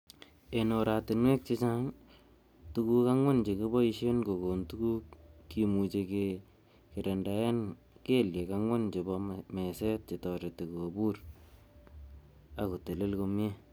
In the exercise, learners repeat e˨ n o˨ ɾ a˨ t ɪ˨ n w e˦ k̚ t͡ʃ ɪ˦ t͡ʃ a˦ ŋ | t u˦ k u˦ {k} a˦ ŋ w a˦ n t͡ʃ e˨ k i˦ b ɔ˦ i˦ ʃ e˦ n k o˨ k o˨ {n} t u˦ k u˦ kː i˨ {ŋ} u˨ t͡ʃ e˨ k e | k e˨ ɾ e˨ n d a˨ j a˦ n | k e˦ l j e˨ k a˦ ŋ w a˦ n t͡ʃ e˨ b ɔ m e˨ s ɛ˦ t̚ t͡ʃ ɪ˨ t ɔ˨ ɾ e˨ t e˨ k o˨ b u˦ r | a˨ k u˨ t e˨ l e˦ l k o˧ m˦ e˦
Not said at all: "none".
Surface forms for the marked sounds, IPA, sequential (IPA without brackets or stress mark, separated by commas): k, n, m